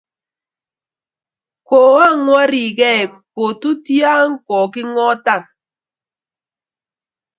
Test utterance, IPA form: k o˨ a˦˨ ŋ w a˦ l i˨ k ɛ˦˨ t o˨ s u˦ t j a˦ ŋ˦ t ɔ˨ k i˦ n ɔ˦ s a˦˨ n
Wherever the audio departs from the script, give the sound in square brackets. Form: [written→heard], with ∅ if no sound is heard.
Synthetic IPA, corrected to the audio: k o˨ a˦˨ ŋ w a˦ [l→ɾ] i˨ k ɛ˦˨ [t→k] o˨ [s→t] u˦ t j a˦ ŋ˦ [t→k] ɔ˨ k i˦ [n→ŋ] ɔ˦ [s→t] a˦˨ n